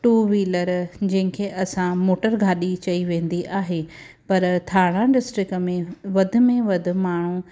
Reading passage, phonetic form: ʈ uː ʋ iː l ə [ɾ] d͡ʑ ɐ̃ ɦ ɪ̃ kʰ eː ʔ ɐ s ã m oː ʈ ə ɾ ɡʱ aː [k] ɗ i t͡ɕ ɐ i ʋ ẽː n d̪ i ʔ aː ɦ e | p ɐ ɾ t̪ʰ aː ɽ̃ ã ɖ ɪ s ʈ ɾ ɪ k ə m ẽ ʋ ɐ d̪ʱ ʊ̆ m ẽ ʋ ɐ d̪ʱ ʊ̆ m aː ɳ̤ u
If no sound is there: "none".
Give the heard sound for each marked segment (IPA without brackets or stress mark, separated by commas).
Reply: ɾ, none